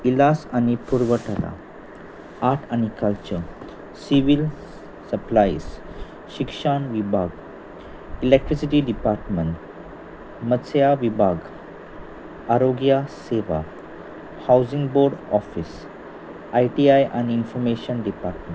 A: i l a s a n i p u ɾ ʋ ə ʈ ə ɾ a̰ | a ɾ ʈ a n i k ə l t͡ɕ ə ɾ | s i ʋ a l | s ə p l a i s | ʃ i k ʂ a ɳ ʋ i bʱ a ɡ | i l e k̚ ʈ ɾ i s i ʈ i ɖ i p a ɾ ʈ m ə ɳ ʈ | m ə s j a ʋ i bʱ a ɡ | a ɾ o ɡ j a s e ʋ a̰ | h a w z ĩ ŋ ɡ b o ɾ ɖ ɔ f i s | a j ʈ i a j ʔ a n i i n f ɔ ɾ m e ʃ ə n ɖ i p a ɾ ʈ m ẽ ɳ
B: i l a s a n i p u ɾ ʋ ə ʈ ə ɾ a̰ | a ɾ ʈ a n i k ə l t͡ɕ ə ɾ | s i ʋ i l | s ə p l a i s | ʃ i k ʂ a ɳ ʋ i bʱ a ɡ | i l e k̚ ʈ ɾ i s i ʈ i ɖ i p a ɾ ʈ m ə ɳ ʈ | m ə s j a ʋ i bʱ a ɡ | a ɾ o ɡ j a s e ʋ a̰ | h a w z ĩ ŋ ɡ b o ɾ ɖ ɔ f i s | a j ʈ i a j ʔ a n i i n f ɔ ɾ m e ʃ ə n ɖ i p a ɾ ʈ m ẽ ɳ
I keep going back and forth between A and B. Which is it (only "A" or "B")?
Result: B